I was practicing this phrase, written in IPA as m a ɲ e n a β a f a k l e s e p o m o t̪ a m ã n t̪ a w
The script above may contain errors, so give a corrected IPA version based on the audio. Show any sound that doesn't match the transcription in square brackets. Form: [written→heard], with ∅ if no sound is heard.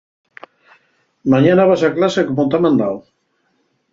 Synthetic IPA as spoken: m a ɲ [e→a] n a β a [f→s] a k l [e→a] s e [p→k] o m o t̪ a m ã n [t̪→d̪] a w